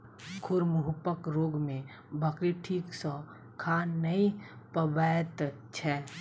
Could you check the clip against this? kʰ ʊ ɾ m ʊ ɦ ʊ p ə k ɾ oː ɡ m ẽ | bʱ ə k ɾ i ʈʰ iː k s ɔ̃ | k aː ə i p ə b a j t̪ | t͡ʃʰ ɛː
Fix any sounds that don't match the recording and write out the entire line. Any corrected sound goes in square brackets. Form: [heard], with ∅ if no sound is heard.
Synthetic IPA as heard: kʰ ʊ ɾ m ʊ ɦ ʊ p ə k ɾ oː ɡ m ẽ | bʱ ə k ɾ i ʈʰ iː k s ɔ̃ | [kʰ] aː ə i p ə b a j t̪ | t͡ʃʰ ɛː